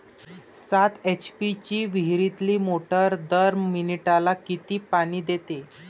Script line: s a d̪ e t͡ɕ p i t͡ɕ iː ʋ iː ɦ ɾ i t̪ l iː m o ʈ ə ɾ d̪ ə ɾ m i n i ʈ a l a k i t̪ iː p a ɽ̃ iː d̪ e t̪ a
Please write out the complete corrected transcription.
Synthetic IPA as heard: s a t̪ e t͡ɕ p i t͡ɕ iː ʋ i ɦ ɾ i t̪ l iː m o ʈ ə ɾ d̪ ə ɾ m i n i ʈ a l a k i t̪ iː p a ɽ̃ iː d̪ e t̪ e